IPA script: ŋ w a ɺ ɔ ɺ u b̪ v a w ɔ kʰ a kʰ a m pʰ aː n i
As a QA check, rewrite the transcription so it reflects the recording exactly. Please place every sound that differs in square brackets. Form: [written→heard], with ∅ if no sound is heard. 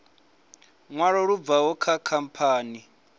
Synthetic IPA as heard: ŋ w a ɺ ɔ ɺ u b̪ v a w ɔ kʰ a kʰ a m pʰ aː n i

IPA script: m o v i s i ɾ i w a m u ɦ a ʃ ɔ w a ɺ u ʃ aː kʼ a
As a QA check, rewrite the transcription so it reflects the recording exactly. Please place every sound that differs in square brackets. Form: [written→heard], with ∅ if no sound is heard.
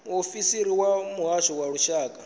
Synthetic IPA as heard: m o [v→f] i s i ɾ i w a m u ɦ a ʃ ɔ w a ɺ u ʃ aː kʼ a

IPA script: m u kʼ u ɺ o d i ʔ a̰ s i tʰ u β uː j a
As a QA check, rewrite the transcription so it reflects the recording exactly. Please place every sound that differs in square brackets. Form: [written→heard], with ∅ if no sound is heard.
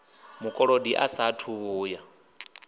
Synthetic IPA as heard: m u kʼ [u→ɔ] ɺ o d i ʔ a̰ s [i→a] tʰ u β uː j a

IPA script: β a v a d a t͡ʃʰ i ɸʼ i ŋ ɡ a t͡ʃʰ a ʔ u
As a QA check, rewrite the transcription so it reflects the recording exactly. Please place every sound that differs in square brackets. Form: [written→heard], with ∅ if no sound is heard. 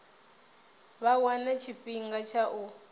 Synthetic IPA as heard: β a [v→w] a [d→n] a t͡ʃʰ i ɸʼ i ŋ ɡ a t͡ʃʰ a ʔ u

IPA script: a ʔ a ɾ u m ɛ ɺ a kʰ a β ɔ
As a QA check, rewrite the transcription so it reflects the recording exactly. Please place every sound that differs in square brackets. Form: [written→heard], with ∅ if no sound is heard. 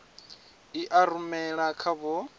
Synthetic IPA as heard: [a→i] ʔ a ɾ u m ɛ ɺ a kʰ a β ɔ

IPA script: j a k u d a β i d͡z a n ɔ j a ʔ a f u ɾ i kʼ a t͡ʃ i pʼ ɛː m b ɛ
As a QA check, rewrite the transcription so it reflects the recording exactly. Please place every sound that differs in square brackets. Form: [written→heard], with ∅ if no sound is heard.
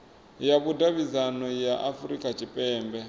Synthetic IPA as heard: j a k u d a β i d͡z a n ɔ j a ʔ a f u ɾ i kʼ a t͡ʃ i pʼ ɛː m b ɛ

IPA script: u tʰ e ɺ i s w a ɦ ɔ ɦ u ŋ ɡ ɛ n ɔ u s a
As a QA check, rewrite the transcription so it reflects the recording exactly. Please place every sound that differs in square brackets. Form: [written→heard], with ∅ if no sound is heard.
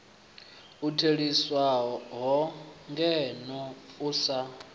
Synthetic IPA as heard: u tʰ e ɺ i s w a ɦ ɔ ɦ [u→ɔ] ŋ ɡ ɛ n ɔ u s a

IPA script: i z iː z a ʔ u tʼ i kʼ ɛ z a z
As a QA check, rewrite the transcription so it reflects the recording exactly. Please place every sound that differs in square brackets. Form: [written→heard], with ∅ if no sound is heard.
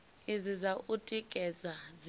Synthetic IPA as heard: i z [iː→i] z a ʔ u tʼ i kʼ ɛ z a z

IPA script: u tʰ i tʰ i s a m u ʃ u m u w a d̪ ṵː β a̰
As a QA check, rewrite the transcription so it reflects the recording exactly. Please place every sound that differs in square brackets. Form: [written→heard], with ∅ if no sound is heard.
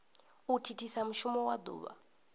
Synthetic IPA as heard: u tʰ i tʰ i s a m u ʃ u m [u→ɔ] w a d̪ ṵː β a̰

